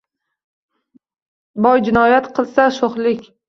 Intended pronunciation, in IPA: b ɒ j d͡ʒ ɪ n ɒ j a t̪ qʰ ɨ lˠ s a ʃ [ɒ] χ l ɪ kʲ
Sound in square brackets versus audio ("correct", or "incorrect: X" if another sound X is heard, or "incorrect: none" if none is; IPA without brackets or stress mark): incorrect: o